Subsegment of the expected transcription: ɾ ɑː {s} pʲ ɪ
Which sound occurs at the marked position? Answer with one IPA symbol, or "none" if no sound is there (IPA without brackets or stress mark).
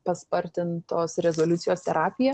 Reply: none